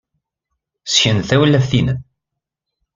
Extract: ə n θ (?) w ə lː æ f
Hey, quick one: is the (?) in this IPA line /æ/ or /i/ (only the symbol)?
æ